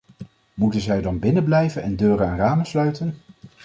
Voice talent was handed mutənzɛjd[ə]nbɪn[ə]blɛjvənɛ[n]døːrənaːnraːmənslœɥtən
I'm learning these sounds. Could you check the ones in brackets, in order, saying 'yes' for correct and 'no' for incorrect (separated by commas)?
no, yes, yes